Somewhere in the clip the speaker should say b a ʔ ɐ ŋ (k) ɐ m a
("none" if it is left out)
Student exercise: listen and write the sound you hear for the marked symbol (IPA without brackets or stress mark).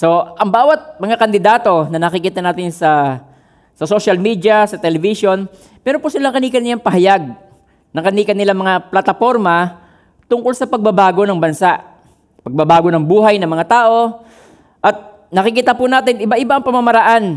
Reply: p